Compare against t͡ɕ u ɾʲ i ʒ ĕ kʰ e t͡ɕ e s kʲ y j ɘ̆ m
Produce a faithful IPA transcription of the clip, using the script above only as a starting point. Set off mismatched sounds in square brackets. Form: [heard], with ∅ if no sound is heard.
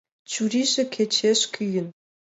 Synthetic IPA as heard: t͡ɕ u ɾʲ i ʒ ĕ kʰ e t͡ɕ e [ʃ] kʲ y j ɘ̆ [n]